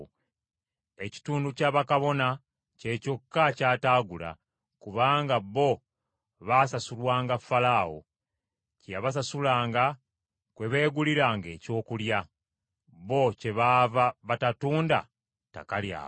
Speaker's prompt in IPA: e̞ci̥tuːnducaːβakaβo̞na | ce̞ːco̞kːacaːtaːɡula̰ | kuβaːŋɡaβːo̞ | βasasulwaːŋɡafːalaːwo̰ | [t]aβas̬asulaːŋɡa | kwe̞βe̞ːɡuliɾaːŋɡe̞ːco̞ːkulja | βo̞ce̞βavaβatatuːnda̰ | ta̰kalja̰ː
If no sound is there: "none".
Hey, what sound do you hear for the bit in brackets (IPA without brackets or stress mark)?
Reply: c